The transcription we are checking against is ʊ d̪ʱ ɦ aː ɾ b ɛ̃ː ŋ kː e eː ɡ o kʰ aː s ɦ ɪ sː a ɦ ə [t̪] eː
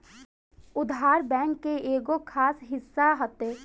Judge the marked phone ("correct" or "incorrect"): correct